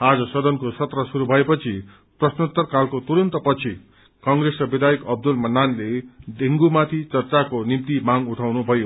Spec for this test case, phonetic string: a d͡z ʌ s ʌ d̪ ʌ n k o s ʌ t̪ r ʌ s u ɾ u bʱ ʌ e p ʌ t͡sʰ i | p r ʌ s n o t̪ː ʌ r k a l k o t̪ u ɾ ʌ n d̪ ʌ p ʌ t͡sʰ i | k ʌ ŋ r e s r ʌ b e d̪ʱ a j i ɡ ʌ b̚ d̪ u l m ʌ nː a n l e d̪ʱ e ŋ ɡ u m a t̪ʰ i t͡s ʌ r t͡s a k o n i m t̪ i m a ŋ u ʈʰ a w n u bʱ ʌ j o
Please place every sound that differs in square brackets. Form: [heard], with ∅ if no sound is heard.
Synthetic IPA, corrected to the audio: a d͡z ʌ s ʌ d̪ ʌ n k o s ʌ t̪ r ʌ s u ɾ u bʱ ʌ e p ʌ t͡sʰ i | p r ʌ s n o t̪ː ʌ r k a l k o t̪ u ɾ ʌ n [t̪] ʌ p ʌ t͡sʰ i | k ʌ ŋ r e s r ʌ b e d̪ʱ a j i [k] ʌ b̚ d̪ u l m ʌ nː a n l e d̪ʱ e ŋ ɡ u m a t̪ʰ i t͡s ʌ r t͡s a k o n i m t̪ i m a ŋ u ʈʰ a w n u bʱ ʌ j o